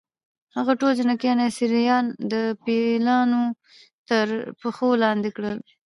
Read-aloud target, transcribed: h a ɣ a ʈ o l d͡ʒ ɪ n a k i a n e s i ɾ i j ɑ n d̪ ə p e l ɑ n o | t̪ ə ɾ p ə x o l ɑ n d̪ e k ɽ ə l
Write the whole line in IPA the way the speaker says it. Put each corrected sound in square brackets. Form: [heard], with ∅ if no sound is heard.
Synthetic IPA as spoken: h a ɣ a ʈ o l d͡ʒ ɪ n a k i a n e s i ɾ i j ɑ n d̪ ə p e l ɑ n o | t̪ ə ɾ p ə x o l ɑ n d̪ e k ɽ ə l